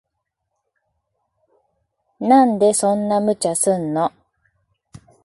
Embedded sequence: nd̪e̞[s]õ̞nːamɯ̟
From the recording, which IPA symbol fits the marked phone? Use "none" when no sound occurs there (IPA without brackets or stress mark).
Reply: s